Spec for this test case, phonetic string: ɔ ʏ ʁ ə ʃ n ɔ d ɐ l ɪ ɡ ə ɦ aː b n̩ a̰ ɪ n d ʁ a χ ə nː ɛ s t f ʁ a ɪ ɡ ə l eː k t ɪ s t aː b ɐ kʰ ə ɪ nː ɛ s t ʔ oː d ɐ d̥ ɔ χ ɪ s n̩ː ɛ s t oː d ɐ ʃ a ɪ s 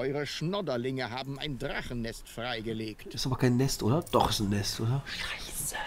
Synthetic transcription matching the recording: ɔ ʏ ʁ ə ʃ n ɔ d ɐ l ɪ ŋ ə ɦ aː b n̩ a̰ ɪ n d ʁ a χ ə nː ɛ s t f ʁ a ɪ ɡ ə l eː k t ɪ s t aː b ɐ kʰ a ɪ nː ɛ s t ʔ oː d ɐ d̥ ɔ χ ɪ s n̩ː ɛ s t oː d ɐ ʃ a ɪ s